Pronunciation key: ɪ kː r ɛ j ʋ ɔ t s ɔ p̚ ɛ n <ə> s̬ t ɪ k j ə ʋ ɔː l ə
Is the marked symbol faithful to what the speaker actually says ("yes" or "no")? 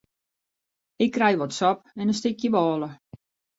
yes